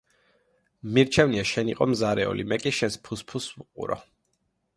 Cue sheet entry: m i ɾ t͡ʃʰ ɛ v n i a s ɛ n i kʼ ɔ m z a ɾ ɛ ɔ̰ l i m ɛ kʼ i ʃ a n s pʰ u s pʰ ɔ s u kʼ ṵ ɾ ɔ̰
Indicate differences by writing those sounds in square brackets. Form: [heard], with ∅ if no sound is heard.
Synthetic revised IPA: m i ɾ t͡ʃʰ ɛ v n i a [ʃ] ɛ n i [qʼ] ɔ m z a ɾ ɛ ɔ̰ l i m ɛ kʼ i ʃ [ɛ] n s pʰ u s pʰ [u] s u [qʼ] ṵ ɾ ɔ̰